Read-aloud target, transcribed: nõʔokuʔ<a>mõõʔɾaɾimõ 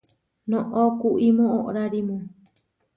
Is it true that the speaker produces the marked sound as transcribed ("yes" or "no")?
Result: no